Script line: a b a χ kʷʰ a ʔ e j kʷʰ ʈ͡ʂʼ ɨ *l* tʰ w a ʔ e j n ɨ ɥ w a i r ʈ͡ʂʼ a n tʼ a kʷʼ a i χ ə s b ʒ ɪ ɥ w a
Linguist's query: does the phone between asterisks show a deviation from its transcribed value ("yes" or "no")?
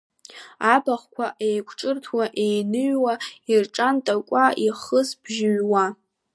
yes